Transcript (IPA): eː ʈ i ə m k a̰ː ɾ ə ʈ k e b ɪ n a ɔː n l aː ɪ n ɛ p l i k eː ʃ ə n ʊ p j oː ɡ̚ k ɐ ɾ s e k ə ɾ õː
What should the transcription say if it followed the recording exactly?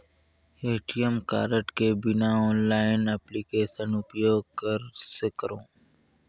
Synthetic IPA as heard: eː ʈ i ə m k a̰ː ɾ ə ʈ k e b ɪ n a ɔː n l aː ɪ n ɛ p l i k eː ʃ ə n ʊ p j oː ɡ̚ k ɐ ɾ s e k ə ɾ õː